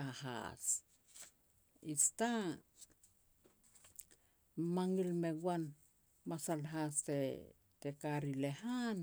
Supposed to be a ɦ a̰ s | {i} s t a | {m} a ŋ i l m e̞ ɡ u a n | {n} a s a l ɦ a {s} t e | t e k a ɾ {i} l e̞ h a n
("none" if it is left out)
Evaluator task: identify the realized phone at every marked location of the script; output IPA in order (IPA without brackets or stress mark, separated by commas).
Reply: i, m, m, s, i